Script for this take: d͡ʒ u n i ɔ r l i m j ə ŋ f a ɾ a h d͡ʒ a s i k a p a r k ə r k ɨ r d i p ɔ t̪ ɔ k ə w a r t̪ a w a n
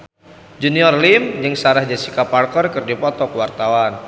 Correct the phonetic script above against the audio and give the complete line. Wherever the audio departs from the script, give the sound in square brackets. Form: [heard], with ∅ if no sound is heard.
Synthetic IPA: d͡ʒ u n i ɔ r l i m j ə ŋ [s] a ɾ a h d͡ʒ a s i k a p a r k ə r k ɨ r d i p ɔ t̪ ɔ k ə w a r t̪ a w a n